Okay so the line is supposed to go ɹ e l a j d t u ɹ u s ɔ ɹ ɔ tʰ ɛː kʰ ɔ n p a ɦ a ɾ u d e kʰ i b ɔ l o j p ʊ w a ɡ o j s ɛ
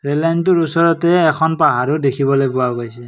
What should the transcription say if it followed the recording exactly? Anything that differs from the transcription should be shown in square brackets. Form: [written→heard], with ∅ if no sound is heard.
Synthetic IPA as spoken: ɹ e l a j [d→n] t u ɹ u s ɔ ɹ ɔ [tʰ→t] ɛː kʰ ɔ n p a ɦ a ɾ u d e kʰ i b ɔ l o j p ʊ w a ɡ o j s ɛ